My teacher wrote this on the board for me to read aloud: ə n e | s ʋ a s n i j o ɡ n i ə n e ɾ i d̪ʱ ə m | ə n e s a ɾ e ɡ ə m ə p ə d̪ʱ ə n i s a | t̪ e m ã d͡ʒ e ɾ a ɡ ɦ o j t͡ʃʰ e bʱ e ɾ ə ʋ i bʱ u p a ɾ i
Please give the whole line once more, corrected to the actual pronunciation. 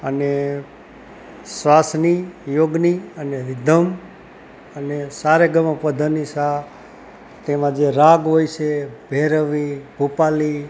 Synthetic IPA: ə n e | s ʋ a s n i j o ɡ n i ə n e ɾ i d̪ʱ ə m | ə n e s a ɾ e ɡ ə m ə p ə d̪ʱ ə n i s a | t̪ e m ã d͡ʒ e ɾ a ɡ ɦ o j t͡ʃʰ e bʱ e ɾ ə ʋ i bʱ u p a l i